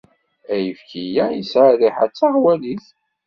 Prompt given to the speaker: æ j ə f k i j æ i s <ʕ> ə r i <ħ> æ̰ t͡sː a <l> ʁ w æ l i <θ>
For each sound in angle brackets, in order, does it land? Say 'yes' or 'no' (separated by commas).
yes, yes, no, yes